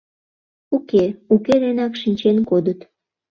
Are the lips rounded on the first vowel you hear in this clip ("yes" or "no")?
yes